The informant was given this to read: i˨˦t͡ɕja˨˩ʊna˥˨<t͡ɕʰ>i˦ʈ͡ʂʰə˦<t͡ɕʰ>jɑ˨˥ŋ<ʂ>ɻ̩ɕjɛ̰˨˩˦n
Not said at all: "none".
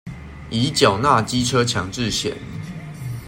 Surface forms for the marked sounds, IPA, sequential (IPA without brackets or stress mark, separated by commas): t͡ɕ, t͡ɕʰ, ʈ͡ʂ